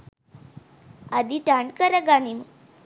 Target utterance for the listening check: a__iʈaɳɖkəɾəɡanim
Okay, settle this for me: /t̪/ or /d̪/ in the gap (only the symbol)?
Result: d̪